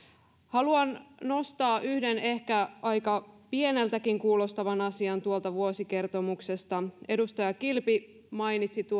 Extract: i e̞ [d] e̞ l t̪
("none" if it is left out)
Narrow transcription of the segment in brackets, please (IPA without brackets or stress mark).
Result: n